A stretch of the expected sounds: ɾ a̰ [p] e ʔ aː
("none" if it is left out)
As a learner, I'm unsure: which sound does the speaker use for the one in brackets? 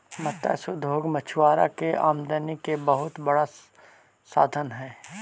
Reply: k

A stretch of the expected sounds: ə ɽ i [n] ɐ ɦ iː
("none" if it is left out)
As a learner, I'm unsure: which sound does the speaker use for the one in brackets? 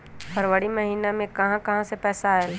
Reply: m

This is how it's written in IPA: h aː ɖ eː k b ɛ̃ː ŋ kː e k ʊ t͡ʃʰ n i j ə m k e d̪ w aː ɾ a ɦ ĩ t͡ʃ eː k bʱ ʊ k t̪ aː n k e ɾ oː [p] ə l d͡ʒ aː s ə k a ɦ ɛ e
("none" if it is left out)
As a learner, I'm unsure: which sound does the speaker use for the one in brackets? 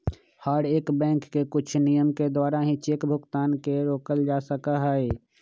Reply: k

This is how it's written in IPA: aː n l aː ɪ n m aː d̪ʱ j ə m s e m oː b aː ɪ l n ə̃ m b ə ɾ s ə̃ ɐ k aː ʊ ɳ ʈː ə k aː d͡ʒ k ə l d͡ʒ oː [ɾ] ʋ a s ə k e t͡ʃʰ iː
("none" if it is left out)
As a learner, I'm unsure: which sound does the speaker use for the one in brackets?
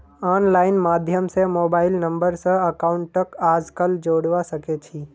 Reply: ɽ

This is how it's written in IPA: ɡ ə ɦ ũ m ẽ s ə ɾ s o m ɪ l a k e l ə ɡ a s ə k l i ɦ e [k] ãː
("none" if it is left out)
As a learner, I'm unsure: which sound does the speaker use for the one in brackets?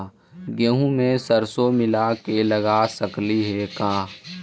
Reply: k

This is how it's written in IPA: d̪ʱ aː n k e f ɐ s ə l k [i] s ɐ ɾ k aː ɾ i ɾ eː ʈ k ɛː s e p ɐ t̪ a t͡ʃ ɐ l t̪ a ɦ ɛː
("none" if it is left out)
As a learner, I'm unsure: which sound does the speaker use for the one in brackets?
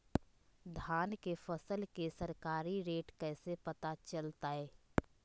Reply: e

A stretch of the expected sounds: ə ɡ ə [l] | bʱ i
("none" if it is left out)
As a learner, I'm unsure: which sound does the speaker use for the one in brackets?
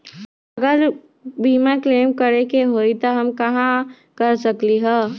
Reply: ɾ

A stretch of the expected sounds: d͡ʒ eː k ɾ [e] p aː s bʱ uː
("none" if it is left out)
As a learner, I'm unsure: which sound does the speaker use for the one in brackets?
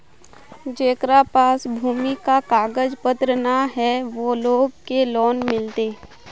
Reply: a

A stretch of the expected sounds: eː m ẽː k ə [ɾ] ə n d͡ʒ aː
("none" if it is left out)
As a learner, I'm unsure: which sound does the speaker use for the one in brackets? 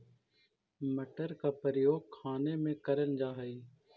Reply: ɾ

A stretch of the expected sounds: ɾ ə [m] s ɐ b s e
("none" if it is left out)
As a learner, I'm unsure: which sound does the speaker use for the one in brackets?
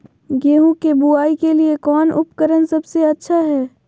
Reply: n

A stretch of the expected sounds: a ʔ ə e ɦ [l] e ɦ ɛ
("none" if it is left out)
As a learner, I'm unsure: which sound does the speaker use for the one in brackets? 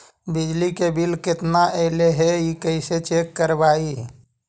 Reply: l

